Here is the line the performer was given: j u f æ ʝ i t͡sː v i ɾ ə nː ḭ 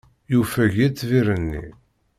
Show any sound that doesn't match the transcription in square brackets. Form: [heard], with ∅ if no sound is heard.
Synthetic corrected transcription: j u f æ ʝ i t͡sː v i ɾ ə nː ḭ